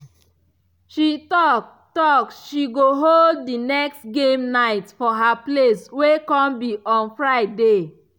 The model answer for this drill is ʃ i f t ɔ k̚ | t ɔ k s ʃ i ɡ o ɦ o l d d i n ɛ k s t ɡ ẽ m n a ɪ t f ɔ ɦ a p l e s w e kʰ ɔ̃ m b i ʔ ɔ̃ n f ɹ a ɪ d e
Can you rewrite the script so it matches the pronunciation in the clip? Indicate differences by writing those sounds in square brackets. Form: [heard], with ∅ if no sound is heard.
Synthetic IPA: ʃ i [∅] t ɔ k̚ | t ɔ k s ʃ i ɡ o ɦ o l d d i n ɛ k s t ɡ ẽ m n a ɪ t f ɔ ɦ a p l e s w e [k] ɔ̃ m b i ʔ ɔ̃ n f ɹ a ɪ d e

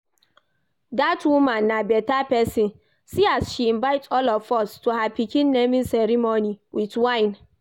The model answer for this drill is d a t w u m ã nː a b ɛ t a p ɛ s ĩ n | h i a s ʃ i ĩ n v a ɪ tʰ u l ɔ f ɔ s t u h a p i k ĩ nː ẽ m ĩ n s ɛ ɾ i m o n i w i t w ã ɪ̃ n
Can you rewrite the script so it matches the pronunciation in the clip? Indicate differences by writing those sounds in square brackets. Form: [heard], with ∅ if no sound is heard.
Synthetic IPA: d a t w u m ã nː a b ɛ t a p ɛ s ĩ n | [s] i a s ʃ i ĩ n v a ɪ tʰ [ɔ] l ɔ f ɔ s t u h a p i k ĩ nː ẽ m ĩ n s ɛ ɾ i m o n i w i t w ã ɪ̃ n

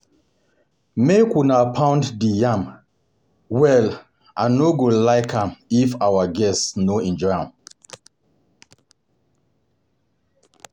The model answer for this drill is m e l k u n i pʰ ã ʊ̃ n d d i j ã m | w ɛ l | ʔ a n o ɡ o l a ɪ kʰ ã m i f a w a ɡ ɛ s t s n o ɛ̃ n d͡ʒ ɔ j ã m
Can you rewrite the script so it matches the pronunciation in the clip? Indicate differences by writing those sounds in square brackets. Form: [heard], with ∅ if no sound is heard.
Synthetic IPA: m e [∅] k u n [a] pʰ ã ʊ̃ n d d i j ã m | w ɛ l | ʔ a n o ɡ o l a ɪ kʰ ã m i f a w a ɡ ɛ s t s n o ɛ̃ n d͡ʒ ɔ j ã m

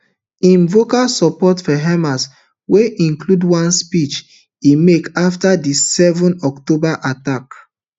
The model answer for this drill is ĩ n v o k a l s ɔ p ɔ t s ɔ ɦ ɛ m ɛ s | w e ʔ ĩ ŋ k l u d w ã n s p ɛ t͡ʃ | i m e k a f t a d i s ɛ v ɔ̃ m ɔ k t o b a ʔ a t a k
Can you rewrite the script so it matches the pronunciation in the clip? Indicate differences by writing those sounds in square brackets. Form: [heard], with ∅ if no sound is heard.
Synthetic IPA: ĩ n v o k a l s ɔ p ɔ t [f] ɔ ɦ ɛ m [a] s | w e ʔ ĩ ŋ k l u d w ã n s p [i] t͡ʃ | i m e k a f t a d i s ɛ v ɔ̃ [n] ɔ k t o b a ʔ a t a k

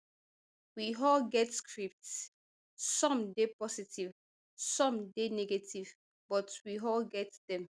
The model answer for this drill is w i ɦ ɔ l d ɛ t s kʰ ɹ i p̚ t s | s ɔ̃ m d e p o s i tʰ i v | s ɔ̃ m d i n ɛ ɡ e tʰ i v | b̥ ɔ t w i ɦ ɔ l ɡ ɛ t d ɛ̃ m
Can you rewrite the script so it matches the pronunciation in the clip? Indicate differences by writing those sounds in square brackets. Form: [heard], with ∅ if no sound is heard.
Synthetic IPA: w i ɦ ɔ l [ɡ] ɛ t s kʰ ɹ i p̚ t s | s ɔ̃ m d e p [ɔ] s i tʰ i v | s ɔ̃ m d [e] n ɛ ɡ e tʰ i v | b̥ ɔ t w i ɦ ɔ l ɡ ɛ t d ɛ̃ m

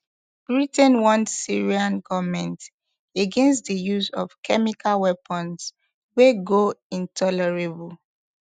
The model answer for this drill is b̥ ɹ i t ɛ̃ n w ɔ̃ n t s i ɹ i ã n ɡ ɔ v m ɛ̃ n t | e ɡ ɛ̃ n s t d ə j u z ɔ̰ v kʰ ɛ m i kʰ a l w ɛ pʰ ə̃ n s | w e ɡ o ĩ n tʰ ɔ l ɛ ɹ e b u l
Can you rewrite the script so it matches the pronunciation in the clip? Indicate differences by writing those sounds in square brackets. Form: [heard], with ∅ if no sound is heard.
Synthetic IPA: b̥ ɹ i t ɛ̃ n w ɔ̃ n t s i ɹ i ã n ɡ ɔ v m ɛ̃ n t | e ɡ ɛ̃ n s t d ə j u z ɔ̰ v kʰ ɛ m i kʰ a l w ɛ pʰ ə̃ n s | w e ɡ o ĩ n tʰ ɔ l ɛ ɹ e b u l

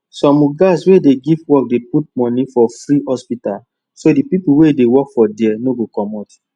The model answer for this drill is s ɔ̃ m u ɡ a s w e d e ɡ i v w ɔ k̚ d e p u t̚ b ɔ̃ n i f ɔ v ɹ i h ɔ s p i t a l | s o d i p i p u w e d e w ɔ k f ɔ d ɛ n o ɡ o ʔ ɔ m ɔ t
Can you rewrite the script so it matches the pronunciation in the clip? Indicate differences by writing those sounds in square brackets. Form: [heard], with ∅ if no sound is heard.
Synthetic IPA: s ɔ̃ m u ɡ a s w e d e ɡ i v w ɔ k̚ d e p u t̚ [m] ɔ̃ n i f ɔ [f] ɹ i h ɔ s p i t a l | s o d i p i p u w e d e w ɔ k f ɔ d ɛ n o ɡ o [k] ɔ m ɔ t

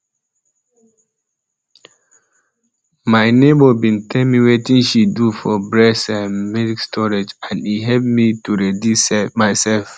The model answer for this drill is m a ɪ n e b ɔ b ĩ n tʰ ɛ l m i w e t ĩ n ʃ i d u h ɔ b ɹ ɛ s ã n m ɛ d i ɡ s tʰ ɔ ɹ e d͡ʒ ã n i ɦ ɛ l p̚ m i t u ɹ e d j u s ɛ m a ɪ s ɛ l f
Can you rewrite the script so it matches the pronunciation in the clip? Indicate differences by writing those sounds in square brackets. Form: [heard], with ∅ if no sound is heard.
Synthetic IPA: m a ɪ n e b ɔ b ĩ n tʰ ɛ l m i w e t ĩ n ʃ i d u [f] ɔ b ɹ ɛ s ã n m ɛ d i [k] s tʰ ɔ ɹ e d͡ʒ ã n i ɦ ɛ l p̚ m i t u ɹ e d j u s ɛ m a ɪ s ɛ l f

